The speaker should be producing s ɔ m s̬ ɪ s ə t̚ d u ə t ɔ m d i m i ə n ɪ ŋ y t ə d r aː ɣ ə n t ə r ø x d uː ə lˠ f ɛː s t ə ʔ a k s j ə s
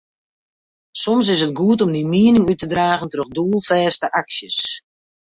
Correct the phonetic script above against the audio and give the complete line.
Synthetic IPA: s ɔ m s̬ ɪ s ə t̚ ɡ u ə t ɔ m d i m i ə n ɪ ŋ y t ə d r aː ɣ ə n t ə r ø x d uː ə lˠ f ɛː s t ə ʔ a k s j ə s